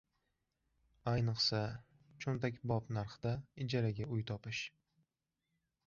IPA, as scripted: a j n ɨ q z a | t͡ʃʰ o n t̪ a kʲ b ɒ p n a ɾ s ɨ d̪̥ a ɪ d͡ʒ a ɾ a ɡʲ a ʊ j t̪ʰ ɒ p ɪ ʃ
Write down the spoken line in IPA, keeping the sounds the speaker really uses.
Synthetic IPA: a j n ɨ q s a | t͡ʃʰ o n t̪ a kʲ b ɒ p n a ɾ χ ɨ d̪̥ a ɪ d͡ʒ a ɾ a ɡʲ a ʊ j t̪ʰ ɒ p ɪ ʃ